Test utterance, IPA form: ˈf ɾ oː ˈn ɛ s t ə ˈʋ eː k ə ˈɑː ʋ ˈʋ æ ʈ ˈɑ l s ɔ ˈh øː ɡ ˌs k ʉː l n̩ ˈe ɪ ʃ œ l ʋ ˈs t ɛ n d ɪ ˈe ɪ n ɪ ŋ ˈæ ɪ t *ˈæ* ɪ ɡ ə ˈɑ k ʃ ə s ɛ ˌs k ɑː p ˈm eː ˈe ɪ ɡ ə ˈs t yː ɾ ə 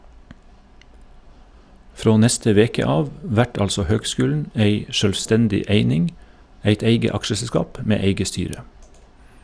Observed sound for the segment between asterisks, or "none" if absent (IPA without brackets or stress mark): e